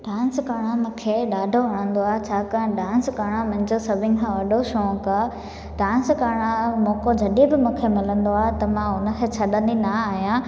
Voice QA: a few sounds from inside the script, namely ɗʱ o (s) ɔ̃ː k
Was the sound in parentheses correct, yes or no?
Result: no